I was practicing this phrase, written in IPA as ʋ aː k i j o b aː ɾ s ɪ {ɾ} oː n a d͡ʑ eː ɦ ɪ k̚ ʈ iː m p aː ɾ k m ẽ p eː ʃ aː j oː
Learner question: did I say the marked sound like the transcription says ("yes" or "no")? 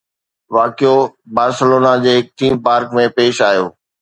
no